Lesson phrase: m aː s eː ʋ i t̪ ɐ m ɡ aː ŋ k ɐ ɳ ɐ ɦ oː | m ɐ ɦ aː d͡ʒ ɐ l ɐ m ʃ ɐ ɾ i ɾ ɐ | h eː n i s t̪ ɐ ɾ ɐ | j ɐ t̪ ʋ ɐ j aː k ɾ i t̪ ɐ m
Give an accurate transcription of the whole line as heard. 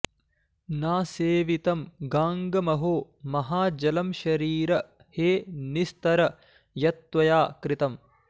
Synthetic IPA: n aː s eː ʋ i t̪ ɐ m ɡ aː ŋ ɡ ɐ m ɐ ɦ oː | m ɐ ɦ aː d͡ʒ ɐ l ɐ m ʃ ɐ ɾ iː ɾ ɐ | h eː n i s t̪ ɐ ɾ ɐ | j ɐ t̪ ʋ ɐ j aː k ɾ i t̪ ɐ m